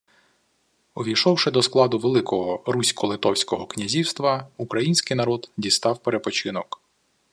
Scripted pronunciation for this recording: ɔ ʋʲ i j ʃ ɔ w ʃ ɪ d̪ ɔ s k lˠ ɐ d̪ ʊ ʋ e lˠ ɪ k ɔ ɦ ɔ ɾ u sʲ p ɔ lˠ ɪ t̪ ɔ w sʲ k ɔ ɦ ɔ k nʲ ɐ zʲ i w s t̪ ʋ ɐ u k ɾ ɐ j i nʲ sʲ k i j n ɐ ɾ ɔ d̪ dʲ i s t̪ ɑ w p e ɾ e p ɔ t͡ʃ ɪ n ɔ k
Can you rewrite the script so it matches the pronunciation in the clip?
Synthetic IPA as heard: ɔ ʋʲ i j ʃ ɔ w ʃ ɪ d̪ ɔ s k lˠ ɑ d̪ ʊ ʋ e lˠ ɪ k ɔ ɦ ɔ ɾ u sʲ k ɔ lˠ ɪ t̪ ɔ w sʲ k ɔ ɦ ɔ k nʲ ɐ zʲ i w s t̪ ʋ ɐ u k ɾ ɐ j i nʲ sʲ k ɪ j n ɐ ɾ ɔ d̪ dʲ i s t̪ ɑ w p e ɾ e p ɔ t͡ʃ ɪ n ɔ k